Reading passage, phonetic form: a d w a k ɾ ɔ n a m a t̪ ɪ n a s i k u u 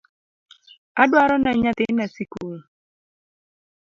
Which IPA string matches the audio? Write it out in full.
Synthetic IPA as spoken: a d w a ɾ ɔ n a ɲ a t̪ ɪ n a s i k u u